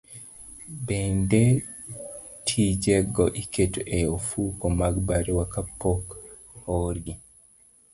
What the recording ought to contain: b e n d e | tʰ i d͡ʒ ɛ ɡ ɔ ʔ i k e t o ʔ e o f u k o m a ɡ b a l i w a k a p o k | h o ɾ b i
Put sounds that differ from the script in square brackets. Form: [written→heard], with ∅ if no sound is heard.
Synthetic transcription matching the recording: b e n d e | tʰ i d͡ʒ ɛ ɡ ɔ ʔ i k e t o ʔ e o f u k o m a ɡ b a [l→ɾ] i w a k a p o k | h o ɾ [b→ɡ] i